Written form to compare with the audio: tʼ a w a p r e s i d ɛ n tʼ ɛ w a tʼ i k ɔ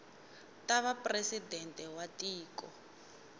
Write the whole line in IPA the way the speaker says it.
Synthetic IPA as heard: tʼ a β a p r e s i d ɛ n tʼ ɛ w a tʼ iː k ɔ